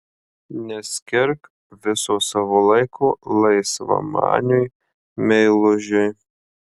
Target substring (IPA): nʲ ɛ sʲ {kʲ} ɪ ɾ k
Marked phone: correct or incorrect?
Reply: correct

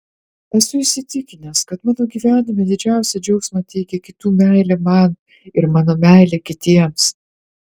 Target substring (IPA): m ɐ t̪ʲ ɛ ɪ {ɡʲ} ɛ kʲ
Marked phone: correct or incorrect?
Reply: incorrect: kʲ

